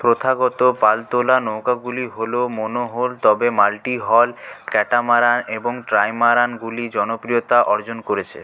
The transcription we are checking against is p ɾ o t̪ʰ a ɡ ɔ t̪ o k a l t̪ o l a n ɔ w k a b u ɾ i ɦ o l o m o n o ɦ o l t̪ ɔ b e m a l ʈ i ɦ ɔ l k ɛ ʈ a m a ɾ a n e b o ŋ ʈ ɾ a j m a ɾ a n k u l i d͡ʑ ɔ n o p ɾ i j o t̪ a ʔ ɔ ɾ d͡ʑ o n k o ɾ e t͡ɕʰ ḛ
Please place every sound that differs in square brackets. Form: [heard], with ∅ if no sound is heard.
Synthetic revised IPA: p ɾ o t̪ʰ a ɡ ɔ t̪ o [p] a l t̪ o l a n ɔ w k a [ɡ] u [l] i ɦ o l o m o n o ɦ o l t̪ ɔ b e m a l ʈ i ɦ ɔ l k ɛ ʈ a m a ɾ a n e b o ŋ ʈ ɾ a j m a ɾ a n [ɡ] u l i d͡ʑ ɔ n o p ɾ i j o t̪ a ʔ ɔ ɾ d͡ʑ o n k o ɾ e t͡ɕʰ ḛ